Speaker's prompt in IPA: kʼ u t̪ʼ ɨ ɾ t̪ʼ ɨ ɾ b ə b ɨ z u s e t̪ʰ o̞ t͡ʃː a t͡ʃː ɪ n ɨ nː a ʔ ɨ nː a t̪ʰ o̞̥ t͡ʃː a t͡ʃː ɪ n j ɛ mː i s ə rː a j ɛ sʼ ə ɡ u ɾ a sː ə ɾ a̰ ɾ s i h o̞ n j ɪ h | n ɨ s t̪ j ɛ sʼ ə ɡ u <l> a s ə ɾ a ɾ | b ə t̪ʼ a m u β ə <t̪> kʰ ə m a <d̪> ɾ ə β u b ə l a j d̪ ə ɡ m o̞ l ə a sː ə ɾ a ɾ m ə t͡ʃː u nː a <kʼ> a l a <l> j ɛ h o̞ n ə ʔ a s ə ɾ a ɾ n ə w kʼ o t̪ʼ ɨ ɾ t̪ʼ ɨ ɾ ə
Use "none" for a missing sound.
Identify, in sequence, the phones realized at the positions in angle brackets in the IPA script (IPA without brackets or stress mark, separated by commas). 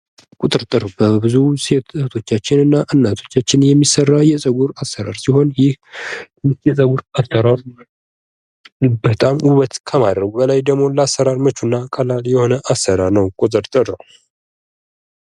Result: ɾ, t̪, d̪, kʼ, l